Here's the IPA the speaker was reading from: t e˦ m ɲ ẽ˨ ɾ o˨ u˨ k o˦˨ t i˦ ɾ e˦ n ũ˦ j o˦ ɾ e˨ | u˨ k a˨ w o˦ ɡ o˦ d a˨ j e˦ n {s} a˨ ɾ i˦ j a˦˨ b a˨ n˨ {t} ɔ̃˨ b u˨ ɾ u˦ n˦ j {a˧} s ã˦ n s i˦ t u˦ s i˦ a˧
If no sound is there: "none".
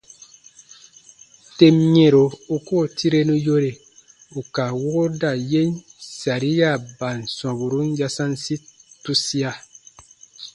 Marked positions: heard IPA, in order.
s, s, a˧

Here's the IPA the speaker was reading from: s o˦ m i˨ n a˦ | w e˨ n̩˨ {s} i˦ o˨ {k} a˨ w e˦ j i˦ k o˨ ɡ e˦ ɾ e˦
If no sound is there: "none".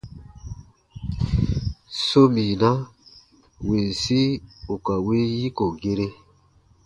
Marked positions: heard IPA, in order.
s, k

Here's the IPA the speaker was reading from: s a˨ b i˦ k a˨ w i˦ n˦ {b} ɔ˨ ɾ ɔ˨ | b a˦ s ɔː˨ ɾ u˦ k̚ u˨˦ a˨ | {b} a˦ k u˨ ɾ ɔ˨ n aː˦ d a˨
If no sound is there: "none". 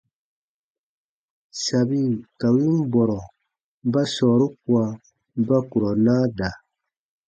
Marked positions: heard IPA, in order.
b, b

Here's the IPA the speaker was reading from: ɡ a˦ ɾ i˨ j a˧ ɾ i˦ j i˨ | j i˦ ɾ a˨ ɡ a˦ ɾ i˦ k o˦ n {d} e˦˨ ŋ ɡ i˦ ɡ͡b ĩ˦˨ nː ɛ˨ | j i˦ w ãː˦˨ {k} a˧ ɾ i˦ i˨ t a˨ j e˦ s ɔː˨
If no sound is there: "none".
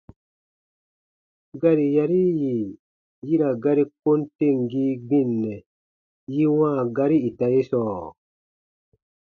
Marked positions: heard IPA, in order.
t, ɡ

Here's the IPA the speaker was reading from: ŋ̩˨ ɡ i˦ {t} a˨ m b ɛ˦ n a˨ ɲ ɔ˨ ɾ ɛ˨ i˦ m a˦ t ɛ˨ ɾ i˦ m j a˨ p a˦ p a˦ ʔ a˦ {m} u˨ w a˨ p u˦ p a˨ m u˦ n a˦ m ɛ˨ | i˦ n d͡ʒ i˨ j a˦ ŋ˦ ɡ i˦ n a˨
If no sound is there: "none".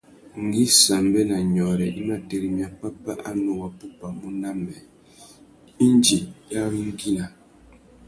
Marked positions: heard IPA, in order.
s, n

